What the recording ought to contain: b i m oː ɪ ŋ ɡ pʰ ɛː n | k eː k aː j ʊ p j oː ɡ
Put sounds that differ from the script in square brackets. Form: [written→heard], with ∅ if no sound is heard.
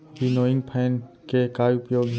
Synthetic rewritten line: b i [m→n] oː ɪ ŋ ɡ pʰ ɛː n | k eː k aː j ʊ p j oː ɡ